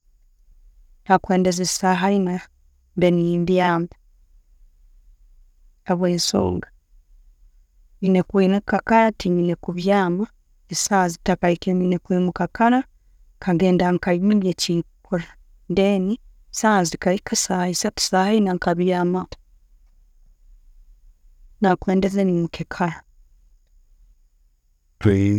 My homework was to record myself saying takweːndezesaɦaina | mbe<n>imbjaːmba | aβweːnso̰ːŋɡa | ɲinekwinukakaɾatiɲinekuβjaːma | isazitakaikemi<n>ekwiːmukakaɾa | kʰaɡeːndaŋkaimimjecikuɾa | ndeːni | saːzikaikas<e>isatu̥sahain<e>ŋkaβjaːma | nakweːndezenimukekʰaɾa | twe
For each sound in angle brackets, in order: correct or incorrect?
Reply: correct, correct, incorrect: a, incorrect: a

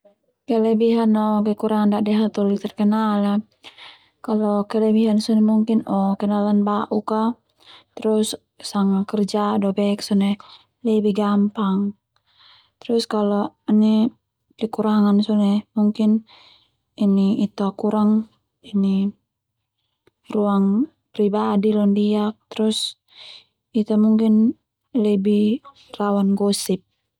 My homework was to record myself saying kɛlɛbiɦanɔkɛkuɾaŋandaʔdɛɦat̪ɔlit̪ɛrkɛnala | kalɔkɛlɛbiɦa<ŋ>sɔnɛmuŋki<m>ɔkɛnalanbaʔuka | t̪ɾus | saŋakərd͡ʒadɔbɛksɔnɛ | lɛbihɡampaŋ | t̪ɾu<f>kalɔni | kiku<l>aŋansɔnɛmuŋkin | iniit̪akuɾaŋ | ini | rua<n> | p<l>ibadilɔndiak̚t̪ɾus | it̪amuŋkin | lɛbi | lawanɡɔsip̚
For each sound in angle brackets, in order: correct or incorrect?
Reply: incorrect: n, incorrect: n, incorrect: s, incorrect: ɾ, incorrect: ŋ, incorrect: ɾ

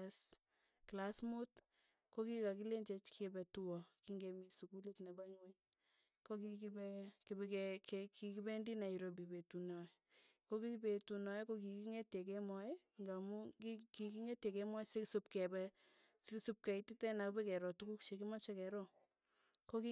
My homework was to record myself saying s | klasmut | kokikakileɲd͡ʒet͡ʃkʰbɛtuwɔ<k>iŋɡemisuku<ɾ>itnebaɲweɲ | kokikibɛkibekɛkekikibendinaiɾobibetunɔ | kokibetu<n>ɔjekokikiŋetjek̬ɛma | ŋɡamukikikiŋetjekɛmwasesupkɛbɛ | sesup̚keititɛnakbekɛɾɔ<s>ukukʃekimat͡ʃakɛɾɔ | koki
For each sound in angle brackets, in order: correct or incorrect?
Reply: correct, incorrect: l, correct, incorrect: t

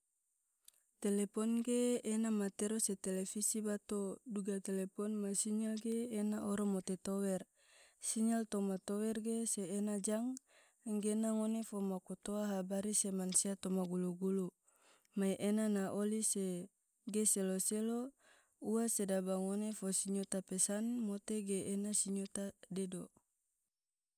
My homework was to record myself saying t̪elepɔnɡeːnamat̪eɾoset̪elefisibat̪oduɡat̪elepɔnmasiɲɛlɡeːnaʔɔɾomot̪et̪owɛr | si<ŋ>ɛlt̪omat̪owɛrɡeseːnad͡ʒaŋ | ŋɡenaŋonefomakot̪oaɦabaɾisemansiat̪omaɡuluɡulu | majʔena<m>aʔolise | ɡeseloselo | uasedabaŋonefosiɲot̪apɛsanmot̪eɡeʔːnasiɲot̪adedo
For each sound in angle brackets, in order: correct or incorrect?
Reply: incorrect: ɲ, incorrect: n

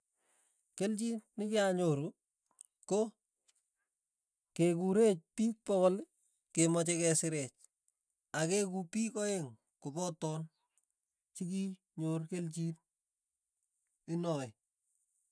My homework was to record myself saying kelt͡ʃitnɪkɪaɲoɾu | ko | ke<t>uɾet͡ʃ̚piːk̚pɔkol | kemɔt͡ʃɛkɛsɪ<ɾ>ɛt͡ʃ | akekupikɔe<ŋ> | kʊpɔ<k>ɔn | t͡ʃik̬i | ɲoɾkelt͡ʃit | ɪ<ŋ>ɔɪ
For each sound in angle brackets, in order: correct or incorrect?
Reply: incorrect: k, correct, correct, incorrect: t, incorrect: n

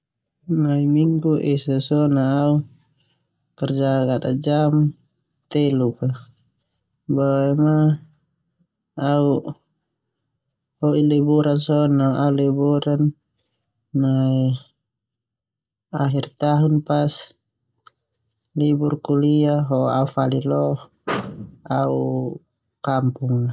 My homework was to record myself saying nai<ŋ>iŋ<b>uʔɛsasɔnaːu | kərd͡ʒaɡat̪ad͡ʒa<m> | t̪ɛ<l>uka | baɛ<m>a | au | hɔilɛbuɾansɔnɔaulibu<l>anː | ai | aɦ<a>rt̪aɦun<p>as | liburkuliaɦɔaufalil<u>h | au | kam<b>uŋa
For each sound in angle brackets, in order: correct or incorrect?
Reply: incorrect: m, incorrect: ɡ, correct, correct, correct, incorrect: ɾ, incorrect: i, correct, incorrect: ɔ, incorrect: p

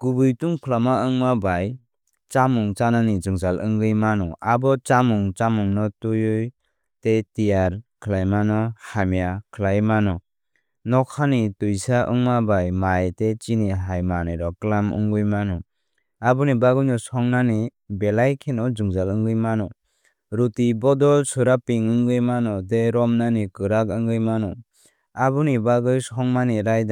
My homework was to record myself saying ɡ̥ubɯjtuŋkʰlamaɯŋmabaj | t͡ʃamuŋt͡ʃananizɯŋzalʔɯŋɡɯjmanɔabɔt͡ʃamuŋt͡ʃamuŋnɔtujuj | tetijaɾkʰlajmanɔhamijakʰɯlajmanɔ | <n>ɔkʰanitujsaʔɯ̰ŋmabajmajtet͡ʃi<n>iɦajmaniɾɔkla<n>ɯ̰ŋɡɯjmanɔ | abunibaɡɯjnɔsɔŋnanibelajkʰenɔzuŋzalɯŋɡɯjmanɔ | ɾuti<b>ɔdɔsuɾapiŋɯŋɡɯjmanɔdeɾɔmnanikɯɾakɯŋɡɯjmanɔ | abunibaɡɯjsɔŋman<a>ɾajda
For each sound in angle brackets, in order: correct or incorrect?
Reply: correct, correct, incorrect: m, correct, incorrect: i

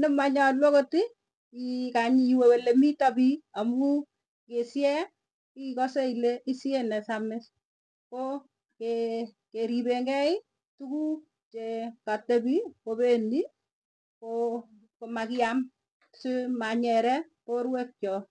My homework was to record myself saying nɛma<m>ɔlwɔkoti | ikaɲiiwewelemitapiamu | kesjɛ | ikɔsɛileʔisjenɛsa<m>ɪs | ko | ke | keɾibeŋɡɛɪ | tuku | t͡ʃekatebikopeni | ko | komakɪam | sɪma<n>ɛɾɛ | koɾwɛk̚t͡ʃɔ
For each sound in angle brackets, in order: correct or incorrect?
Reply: incorrect: ɲ, correct, incorrect: ɲ

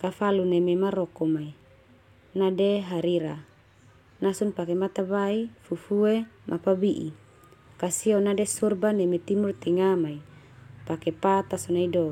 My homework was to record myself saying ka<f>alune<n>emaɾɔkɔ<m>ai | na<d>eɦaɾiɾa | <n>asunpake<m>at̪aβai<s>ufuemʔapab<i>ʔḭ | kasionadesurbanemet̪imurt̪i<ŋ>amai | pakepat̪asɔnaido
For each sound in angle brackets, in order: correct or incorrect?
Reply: correct, incorrect: m, correct, correct, correct, correct, incorrect: f, correct, correct

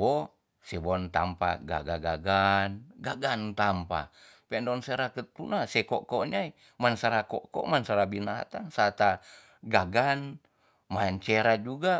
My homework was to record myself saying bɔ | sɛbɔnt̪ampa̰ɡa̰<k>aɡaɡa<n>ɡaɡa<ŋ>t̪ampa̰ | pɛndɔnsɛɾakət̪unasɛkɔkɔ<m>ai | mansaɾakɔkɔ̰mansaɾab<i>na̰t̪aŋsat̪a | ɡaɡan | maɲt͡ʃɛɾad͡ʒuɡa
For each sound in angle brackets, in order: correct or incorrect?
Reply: incorrect: ɡ, correct, incorrect: n, incorrect: ɲ, correct

